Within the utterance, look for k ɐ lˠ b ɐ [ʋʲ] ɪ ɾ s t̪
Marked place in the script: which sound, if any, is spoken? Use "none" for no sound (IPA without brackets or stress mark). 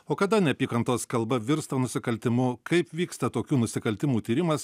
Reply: ʋʲ